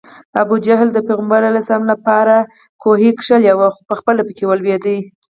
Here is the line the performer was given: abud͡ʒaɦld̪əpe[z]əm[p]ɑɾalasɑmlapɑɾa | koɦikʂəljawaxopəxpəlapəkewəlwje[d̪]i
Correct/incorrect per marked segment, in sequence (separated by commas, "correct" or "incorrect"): incorrect, incorrect, correct